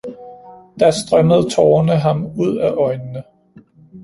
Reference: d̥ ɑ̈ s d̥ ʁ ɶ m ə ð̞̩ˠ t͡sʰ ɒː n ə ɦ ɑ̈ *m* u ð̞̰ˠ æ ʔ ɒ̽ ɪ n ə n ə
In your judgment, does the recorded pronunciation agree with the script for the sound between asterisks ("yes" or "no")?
yes